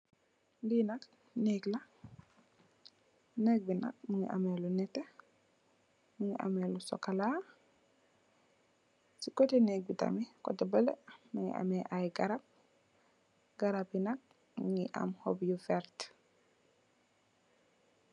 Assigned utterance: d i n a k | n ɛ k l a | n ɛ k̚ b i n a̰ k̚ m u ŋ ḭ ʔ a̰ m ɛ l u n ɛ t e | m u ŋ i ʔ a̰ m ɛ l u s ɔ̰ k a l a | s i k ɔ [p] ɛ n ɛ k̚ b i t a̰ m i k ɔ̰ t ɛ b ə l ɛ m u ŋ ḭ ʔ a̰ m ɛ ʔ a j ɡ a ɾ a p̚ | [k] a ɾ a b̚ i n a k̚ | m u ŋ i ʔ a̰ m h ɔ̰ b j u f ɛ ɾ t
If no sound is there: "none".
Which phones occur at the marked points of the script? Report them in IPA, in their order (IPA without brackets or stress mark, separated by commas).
t, ɡ